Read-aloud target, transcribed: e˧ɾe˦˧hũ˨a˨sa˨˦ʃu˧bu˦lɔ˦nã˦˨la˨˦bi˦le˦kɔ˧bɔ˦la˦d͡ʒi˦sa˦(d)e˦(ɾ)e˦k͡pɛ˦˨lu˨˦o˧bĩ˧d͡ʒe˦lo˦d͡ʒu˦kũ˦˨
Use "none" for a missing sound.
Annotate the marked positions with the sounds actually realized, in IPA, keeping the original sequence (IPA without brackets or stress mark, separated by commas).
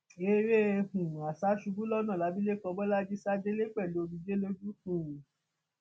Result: d͡ʒ, l